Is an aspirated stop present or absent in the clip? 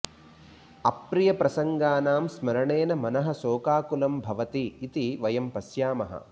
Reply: absent